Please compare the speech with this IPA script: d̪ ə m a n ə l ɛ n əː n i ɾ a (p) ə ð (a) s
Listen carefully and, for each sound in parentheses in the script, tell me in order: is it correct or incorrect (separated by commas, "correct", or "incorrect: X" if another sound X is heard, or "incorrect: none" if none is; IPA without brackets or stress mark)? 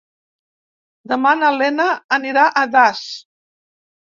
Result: incorrect: ʔ, correct